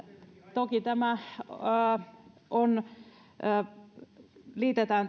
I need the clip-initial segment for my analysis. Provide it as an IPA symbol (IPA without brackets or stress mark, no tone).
t̪